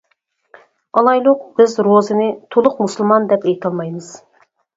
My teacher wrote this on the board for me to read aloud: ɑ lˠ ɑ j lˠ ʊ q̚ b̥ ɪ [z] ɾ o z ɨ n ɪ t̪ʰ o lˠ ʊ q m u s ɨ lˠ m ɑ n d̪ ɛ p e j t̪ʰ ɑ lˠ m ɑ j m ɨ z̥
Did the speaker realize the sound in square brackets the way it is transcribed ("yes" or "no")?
yes